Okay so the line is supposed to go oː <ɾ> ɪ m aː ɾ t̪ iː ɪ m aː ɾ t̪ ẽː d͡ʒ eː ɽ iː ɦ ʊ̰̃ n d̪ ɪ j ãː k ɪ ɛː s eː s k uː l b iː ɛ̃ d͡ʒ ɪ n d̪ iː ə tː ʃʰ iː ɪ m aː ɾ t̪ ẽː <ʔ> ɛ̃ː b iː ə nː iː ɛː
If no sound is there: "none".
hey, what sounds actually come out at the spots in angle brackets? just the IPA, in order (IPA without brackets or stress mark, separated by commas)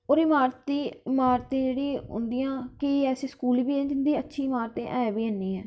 ɾ, ʔ